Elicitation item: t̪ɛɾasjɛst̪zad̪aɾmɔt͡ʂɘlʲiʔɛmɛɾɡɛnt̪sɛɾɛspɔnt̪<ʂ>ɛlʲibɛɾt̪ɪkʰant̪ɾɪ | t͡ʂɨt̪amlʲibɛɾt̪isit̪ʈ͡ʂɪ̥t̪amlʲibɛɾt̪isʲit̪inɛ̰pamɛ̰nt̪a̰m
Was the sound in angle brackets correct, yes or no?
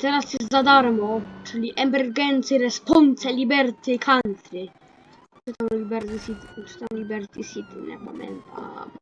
no